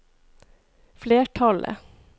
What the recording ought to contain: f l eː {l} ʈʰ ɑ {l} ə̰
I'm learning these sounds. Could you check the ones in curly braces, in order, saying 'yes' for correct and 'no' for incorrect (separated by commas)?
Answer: no, yes